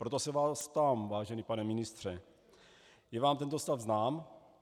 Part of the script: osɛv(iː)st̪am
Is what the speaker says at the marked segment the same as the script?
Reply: no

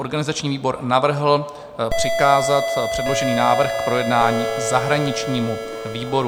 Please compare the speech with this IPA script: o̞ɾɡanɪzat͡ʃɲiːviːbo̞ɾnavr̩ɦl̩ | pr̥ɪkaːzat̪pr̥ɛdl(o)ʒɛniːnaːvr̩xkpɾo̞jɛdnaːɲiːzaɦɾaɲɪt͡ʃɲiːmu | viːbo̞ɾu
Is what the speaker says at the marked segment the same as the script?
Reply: yes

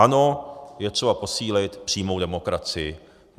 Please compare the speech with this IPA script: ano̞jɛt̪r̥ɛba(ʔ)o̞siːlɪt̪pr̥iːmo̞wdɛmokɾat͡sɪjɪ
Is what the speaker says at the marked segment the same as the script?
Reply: no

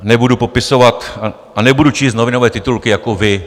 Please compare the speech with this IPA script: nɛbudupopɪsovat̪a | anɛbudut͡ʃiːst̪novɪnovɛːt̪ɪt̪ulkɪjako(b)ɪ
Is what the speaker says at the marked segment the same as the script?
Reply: no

